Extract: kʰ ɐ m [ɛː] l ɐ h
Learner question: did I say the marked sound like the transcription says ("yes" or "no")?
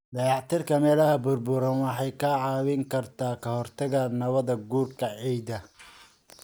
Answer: yes